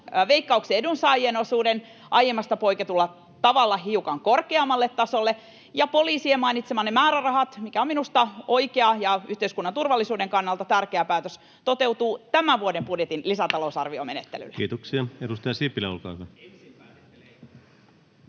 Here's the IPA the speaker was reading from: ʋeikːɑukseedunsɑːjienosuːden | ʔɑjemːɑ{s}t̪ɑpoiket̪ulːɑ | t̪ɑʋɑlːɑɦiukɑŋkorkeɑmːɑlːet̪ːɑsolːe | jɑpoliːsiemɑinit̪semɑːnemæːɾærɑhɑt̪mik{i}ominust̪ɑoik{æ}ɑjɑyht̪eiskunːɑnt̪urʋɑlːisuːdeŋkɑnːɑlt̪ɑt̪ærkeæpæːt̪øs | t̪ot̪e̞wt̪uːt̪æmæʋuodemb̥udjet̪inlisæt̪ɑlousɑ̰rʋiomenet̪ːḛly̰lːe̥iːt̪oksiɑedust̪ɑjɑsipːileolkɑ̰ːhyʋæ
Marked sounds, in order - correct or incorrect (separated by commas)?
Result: correct, incorrect, incorrect